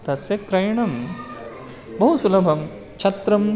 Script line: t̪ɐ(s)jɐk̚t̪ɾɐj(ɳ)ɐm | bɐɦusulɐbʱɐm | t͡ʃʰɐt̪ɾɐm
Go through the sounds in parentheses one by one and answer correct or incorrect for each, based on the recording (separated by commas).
correct, correct